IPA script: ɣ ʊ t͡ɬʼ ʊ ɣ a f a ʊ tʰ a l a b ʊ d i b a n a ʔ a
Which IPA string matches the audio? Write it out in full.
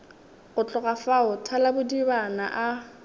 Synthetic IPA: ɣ ʊ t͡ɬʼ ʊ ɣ a f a ʊ tʰ a l a b ʊ d i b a n a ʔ a